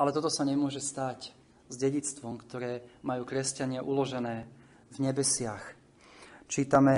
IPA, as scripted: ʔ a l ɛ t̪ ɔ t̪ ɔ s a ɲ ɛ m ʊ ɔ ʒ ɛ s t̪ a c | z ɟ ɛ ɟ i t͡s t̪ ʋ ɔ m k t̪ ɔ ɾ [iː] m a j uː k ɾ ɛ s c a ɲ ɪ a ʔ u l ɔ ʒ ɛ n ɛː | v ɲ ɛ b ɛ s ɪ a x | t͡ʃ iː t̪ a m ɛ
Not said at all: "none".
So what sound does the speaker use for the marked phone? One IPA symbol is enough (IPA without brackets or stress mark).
ɛː